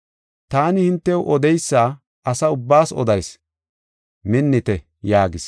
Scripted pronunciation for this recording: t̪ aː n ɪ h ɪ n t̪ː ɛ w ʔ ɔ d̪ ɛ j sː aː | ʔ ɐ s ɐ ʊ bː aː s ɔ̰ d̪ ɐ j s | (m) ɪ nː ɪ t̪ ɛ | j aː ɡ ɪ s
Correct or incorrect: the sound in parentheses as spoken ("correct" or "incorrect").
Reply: correct